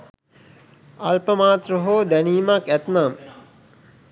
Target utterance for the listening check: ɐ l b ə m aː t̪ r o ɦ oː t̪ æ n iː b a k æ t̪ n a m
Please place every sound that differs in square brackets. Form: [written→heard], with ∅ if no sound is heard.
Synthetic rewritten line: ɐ l [b→p] ə m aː t̪ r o ɦ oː [t̪→d̪] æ n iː [b→m] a k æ t̪ n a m

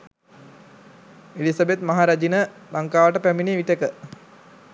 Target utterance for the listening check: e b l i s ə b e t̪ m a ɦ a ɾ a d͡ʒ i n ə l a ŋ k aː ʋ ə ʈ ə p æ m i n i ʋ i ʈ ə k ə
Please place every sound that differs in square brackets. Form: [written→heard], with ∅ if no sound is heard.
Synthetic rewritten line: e [b→∅] l i s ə b e t̪ m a ɦ a ɾ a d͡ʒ i n ə l a ŋ k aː ʋ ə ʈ ə p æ m i n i ʋ i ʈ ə k ə

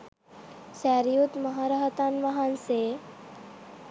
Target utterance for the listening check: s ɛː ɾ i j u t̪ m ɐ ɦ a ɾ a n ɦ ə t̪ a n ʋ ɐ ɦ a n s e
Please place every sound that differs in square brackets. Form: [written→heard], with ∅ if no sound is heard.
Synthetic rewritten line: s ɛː ɾ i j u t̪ m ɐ ɦ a ɾ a [n→∅] ɦ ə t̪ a n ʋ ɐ ɦ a n s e

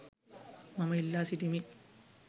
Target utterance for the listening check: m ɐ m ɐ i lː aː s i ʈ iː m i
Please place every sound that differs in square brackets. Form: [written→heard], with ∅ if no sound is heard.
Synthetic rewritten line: m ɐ m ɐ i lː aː s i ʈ [iː→i] m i

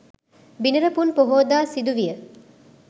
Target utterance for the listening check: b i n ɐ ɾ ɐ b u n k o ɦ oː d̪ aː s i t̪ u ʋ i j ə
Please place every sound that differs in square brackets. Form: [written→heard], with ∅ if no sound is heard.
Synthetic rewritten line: b i n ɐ ɾ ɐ [b→p] u n [k→p] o ɦ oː d̪ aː s i [t̪→d̪] u ʋ i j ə

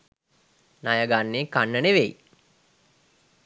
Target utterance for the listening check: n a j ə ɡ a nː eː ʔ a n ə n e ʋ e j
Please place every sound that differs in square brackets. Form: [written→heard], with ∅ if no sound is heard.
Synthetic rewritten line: n a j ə ɡ a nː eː [ʔ→k] a [n→nː] ə n e ʋ e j

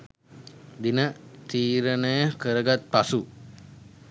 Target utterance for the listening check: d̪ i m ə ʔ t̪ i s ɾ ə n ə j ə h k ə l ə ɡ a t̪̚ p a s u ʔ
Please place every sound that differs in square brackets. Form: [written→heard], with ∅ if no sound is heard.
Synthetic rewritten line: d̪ i [m→n] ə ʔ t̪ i [s→∅] ɾ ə n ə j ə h k ə [l→ɾ] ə ɡ a t̪̚ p a s u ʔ

